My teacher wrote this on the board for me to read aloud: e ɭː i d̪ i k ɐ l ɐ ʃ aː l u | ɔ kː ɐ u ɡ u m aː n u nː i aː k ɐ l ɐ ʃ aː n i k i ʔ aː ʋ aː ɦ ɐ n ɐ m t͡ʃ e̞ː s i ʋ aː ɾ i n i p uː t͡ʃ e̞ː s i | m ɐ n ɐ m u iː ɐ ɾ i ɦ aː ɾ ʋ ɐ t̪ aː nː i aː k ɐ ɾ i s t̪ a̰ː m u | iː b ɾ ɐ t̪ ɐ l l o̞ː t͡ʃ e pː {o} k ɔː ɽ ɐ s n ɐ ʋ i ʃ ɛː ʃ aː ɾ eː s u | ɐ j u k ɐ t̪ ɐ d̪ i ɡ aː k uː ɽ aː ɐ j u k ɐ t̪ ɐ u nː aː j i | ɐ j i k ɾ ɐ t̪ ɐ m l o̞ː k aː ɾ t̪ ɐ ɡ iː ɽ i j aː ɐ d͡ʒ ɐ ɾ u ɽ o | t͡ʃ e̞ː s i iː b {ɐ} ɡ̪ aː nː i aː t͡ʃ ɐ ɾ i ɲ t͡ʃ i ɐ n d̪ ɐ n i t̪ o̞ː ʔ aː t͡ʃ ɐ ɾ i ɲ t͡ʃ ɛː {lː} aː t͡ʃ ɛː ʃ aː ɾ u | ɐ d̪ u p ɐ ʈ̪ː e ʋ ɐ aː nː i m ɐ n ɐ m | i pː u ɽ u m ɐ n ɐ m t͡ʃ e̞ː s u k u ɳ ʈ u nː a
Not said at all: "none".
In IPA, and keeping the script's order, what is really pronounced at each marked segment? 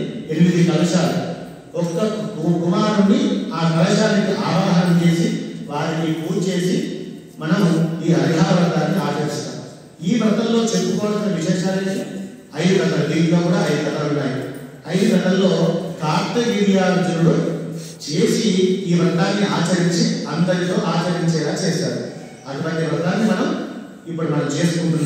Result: u, ɐ, l

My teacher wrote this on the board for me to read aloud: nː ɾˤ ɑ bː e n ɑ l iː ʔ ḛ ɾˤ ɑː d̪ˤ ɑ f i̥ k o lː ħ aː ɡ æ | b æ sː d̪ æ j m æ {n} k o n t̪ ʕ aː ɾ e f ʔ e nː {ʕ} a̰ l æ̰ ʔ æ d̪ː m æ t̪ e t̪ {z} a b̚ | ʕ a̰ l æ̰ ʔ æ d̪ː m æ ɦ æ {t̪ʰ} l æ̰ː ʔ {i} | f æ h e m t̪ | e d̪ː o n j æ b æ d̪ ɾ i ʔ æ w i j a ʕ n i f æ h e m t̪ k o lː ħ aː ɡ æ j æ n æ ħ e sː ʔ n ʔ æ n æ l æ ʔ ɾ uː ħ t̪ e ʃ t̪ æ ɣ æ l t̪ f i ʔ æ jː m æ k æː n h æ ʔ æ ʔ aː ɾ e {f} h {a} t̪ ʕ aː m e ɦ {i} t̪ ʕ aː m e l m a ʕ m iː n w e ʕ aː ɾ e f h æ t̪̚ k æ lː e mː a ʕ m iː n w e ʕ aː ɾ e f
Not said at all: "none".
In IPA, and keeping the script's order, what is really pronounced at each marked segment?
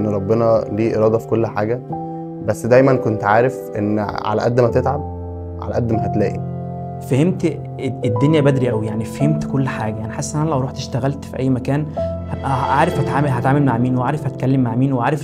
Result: n, ʕ, ʕ, t̪, i, f, æ, æ

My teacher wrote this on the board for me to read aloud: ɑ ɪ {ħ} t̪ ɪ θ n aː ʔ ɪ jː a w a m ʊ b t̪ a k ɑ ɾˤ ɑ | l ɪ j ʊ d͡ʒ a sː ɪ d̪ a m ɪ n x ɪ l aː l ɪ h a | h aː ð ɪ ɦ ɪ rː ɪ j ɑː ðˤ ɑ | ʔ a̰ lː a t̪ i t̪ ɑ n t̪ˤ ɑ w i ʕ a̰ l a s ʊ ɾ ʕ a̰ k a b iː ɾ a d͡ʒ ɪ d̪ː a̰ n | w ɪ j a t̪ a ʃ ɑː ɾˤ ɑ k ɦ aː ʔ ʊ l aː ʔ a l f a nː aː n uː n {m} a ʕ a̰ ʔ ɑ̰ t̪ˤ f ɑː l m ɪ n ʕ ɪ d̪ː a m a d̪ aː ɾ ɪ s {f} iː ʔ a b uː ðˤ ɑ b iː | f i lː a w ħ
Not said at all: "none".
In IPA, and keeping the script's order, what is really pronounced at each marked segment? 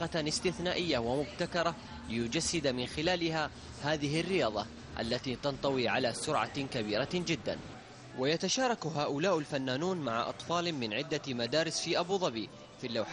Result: s, m, f

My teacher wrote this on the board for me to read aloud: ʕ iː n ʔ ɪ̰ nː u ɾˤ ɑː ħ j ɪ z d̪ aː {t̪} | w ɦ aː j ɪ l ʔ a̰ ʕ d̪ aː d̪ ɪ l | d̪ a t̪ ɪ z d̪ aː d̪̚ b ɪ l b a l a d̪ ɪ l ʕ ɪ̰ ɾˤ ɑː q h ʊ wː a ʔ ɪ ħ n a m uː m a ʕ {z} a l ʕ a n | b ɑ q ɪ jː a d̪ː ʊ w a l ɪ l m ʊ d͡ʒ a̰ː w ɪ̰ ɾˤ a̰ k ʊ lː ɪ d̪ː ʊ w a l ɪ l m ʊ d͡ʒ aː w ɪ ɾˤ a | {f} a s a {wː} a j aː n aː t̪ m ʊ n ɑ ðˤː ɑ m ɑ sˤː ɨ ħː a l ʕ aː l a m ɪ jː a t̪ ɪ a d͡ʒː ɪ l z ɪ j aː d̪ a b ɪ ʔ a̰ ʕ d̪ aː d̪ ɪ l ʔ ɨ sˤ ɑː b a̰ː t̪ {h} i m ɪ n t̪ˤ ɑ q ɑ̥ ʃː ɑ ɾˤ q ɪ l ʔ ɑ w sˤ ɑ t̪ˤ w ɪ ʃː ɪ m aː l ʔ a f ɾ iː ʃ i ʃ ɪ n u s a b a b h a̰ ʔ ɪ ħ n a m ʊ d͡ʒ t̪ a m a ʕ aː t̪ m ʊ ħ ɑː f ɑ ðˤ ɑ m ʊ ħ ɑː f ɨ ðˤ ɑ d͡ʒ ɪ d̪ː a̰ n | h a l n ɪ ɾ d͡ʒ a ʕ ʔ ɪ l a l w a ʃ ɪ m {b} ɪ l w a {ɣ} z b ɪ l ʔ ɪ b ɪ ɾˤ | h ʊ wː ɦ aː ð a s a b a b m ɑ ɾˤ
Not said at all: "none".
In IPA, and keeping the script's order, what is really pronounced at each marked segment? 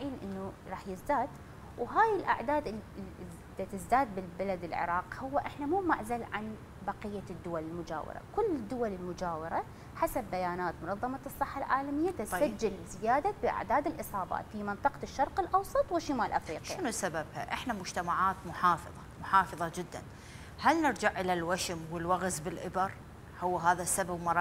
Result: d̪, z, ħ, bː, f, w, ɣ

